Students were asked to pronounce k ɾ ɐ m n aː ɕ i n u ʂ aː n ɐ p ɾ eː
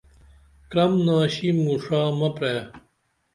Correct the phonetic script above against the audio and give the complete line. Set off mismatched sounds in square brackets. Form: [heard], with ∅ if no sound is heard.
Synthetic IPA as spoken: k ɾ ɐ m n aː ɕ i [m] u ʂ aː [m] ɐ p ɾ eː

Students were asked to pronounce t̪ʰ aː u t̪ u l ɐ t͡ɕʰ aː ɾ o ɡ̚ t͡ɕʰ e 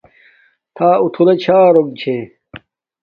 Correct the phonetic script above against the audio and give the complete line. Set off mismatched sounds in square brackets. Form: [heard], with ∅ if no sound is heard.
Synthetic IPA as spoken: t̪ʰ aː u [t̪ʰ] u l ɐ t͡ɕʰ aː ɾ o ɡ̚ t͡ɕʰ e

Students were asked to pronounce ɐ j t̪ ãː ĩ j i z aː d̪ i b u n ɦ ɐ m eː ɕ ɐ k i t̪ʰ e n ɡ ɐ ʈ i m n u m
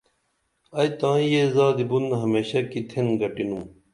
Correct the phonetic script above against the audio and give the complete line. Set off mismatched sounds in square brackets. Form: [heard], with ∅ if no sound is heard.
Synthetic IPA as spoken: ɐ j t̪ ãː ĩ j [e] z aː d̪ i b u n ɦ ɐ m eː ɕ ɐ k i t̪ʰ e n ɡ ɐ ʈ i [∅] n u m

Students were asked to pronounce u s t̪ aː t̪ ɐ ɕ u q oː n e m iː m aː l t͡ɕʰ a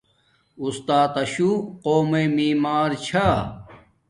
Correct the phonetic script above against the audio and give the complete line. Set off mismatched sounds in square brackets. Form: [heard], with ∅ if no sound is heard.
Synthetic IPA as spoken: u s t̪ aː t̪ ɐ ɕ u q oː [m] e m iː m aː [ɾ] t͡ɕʰ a

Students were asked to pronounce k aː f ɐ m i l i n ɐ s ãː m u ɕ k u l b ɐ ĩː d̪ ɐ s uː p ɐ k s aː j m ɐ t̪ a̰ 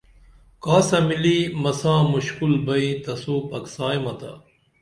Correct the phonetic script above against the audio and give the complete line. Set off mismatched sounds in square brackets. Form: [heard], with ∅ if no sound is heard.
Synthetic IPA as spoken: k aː [s] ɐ m i l i [m] ɐ s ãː m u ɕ k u l b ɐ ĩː [t̪] ɐ s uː p ɐ k s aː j m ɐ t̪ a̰

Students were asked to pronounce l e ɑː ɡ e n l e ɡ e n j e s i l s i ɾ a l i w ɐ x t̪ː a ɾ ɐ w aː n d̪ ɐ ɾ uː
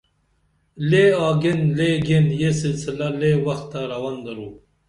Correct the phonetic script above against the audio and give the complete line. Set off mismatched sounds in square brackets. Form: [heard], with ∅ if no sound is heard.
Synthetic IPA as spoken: l e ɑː ɡ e n l e ɡ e n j e s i l s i [l] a l [e] w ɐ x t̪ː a ɾ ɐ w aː n d̪ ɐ ɾ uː

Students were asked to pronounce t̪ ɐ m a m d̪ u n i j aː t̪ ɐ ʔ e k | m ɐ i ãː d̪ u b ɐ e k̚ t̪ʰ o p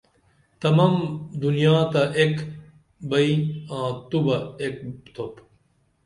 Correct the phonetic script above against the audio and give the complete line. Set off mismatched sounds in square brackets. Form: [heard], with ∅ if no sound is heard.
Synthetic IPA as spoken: t̪ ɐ m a m d̪ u n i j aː t̪ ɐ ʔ e k | [b] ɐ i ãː [t̪] u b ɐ e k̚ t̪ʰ o p

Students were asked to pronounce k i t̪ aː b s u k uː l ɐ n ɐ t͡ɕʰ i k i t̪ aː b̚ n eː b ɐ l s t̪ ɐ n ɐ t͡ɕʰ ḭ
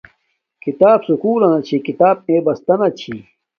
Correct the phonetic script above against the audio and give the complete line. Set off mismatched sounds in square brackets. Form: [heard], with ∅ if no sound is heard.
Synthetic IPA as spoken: k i t̪ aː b s u k uː l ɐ n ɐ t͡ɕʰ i k i t̪ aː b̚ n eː b ɐ [∅] s t̪ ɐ n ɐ t͡ɕʰ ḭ

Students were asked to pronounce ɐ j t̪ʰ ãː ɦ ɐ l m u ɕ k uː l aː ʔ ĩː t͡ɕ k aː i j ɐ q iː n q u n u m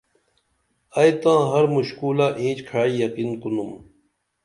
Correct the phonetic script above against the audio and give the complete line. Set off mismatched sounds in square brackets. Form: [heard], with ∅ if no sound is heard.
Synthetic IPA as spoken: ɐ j [t̪] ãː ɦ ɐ [ɾ] m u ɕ k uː l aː ʔ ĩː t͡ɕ [kʰ] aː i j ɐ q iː n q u n u m

